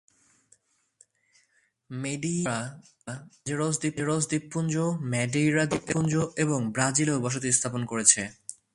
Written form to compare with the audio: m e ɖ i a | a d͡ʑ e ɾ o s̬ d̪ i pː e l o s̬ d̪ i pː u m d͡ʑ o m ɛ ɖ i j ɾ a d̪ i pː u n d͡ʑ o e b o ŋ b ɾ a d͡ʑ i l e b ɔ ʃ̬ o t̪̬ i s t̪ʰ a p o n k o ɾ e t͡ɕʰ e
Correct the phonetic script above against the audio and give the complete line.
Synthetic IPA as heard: m e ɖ i a | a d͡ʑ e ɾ o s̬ d̪ i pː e ɾ o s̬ d̪ i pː u n d͡ʑ o m ɛ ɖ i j ɾ a d̪ i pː u n d͡ʑ o e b o ŋ b ɾ a d͡ʑ i l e b ɔ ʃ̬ o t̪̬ i s t̪ʰ a p o n k o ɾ e t͡ɕʰ e